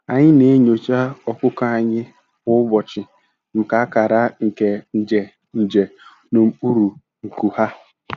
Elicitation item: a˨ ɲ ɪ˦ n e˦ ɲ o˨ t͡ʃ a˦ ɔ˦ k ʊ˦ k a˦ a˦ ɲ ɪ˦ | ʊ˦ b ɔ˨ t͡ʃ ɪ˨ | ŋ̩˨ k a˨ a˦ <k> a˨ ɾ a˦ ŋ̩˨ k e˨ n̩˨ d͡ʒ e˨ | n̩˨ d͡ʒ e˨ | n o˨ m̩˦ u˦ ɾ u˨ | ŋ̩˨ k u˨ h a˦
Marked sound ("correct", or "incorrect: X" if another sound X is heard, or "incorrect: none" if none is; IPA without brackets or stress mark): correct